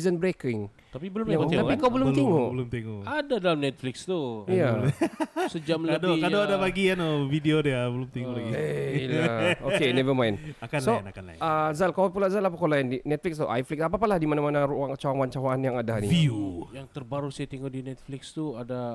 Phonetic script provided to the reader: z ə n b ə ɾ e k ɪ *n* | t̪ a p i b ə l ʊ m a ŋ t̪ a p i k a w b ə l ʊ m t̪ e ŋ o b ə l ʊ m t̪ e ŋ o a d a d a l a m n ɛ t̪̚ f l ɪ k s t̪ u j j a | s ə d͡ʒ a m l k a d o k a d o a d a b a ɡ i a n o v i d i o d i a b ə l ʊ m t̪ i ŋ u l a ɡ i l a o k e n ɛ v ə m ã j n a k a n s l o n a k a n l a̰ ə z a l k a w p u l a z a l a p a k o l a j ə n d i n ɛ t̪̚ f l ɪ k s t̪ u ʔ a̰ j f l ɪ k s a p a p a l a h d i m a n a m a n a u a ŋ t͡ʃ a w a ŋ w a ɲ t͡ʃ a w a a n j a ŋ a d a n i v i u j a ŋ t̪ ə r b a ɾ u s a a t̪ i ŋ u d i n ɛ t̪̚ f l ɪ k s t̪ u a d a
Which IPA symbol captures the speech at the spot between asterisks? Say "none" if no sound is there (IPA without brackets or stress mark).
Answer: ŋ